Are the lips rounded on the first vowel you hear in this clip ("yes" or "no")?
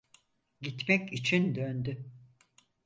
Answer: no